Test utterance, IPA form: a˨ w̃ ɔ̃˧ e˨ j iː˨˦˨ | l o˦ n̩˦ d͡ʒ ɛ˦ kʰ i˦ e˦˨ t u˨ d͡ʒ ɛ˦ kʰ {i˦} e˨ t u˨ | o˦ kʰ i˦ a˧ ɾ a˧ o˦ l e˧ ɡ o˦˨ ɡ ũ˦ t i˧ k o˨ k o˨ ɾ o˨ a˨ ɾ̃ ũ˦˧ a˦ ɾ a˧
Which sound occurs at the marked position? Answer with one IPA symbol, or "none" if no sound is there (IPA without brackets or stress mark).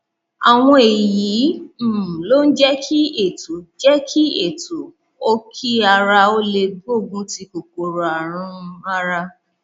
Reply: i˦